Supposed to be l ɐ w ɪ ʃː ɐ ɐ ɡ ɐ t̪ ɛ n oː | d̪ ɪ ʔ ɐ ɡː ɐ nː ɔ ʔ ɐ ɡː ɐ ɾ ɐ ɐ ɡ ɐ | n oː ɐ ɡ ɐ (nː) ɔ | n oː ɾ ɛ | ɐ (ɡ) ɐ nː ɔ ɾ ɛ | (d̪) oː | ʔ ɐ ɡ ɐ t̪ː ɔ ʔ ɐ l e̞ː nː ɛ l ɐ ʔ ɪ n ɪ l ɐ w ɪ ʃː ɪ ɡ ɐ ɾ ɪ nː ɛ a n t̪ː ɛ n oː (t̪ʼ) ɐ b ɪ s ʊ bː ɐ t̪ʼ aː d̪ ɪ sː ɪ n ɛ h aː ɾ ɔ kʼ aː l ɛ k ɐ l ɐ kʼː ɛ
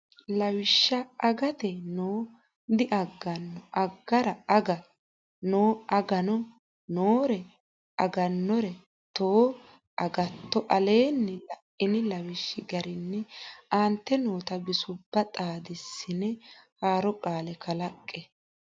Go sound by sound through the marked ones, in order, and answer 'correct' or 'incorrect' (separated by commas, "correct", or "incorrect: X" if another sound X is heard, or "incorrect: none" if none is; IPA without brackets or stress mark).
incorrect: n, correct, incorrect: t̪, incorrect: t̪